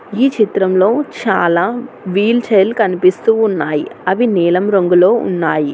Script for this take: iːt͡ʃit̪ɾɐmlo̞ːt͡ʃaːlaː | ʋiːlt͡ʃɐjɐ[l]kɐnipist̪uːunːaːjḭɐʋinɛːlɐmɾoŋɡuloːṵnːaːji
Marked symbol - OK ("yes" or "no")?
yes